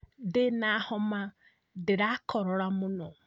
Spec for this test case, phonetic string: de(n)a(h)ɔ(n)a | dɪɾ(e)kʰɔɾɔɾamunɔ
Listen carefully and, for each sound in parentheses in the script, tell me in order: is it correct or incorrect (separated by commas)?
correct, correct, incorrect, incorrect